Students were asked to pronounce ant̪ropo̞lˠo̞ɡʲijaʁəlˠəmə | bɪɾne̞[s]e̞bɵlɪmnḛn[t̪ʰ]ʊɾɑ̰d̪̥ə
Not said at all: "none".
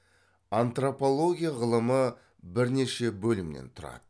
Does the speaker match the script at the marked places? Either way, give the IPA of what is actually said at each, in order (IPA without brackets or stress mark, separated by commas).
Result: ʃ, t̪ʰ